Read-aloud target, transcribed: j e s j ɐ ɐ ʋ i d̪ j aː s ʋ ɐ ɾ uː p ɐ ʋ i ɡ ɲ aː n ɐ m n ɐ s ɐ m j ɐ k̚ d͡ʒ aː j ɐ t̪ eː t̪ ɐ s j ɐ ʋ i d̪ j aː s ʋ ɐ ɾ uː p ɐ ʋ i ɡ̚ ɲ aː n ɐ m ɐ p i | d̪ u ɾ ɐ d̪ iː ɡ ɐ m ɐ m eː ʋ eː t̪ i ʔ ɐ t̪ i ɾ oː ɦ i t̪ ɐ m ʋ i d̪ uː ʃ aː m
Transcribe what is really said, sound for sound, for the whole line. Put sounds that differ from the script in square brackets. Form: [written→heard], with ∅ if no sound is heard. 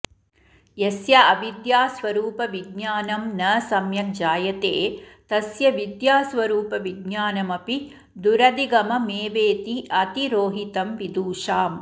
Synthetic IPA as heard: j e s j ɐ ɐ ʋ i d̪ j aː s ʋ ɐ ɾ uː p ɐ ʋ i ɡ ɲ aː n ɐ m n ɐ s ɐ m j ɐ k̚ d͡ʒ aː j ɐ t̪ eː t̪ ɐ s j ɐ ʋ i d̪ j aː s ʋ ɐ ɾ uː p ɐ ʋ i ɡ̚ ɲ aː n ɐ m ɐ p i | d̪ u ɾ ɐ d̪ [iː→i] ɡ ɐ m ɐ m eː ʋ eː t̪ i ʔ ɐ t̪ i ɾ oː ɦ i t̪ ɐ m ʋ i d̪ uː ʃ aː m